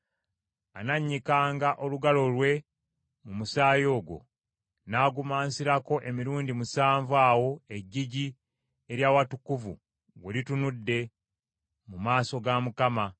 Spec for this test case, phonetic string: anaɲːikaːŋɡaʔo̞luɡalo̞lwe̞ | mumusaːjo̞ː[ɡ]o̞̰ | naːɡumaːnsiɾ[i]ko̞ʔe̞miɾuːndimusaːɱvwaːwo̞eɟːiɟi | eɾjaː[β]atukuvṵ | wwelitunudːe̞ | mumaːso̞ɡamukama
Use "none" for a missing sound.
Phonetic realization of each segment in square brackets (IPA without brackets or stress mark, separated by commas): ɡ, a, w